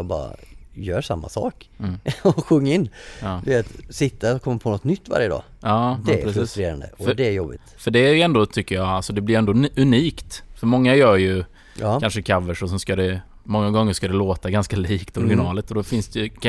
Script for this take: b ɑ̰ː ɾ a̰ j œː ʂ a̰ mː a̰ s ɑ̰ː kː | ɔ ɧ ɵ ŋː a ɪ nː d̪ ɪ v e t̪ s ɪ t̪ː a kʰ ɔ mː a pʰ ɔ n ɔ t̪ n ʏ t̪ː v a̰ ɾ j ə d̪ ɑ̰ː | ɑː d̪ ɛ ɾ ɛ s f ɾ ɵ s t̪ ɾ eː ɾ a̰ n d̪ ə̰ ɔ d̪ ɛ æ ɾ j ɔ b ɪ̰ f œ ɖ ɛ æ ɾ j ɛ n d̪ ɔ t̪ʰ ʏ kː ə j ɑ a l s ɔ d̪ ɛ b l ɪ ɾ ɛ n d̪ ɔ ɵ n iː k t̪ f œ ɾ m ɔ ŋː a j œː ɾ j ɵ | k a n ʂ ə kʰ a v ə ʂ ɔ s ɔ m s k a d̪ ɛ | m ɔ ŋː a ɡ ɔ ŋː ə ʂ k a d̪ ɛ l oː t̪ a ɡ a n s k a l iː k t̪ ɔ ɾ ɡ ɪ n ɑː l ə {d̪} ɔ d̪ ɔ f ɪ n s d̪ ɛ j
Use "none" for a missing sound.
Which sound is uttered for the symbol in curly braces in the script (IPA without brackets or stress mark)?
t̪